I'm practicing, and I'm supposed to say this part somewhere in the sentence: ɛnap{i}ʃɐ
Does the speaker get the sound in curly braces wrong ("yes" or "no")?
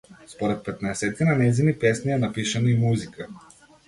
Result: no